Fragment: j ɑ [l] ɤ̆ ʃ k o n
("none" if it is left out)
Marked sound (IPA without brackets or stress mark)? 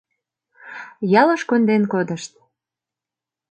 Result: l